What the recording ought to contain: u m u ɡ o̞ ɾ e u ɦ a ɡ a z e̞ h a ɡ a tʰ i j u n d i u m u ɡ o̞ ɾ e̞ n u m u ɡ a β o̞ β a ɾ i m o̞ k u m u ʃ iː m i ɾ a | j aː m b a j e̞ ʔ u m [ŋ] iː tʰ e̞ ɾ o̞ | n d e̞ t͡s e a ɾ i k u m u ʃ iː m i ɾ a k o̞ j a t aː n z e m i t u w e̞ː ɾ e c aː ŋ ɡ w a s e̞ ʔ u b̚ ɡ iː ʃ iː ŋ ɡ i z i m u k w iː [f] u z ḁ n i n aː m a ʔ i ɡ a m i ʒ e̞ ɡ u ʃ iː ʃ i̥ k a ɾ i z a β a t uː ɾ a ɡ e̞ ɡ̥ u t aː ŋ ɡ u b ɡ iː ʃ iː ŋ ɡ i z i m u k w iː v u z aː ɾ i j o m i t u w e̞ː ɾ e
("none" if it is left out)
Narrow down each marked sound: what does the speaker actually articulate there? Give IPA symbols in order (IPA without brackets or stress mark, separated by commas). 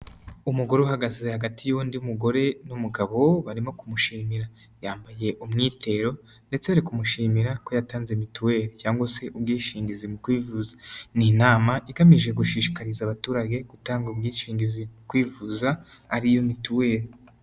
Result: ŋ, v